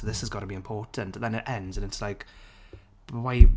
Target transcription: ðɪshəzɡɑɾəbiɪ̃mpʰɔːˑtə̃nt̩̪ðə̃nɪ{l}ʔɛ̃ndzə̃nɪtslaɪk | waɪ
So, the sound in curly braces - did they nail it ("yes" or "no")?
no